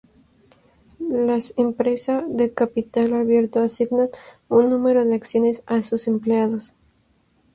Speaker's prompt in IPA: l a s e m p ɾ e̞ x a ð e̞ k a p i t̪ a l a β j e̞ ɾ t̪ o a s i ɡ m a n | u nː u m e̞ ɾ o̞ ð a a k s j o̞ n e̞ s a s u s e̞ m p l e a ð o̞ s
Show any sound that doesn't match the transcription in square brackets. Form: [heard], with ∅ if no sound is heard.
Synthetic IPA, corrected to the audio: l a s e m p ɾ e̞ [s] a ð e̞ k a p i t̪ a l a β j e̞ ɾ t̪ o a s i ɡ [n] a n | u nː u m e̞ ɾ o̞ ð [e] a k s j o̞ n e̞ s a s u s e̞ m p l e a ð o̞ s

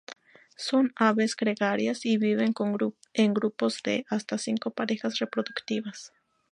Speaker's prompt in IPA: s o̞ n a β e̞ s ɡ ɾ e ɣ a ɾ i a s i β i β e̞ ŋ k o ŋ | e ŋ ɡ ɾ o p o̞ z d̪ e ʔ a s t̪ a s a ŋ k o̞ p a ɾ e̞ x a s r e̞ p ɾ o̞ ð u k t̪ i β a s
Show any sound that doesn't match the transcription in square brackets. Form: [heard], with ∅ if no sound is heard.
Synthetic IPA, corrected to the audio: s o̞ n a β e̞ s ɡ ɾ e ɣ a ɾ [j] a s i β i β e̞ ŋ k o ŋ | e ŋ ɡ ɾ [u] p o̞ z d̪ e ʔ a s t̪ a s [i] ŋ k o̞ p a ɾ e̞ x a s r e̞ p ɾ o̞ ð u k t̪ i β a s

